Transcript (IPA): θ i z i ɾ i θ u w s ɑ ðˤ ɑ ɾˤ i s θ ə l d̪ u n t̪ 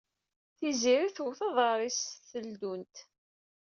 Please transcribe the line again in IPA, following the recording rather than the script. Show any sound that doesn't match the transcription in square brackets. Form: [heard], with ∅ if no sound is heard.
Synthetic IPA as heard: θ i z i ɾ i θ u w [θ] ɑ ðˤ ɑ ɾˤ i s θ ə l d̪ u n t̪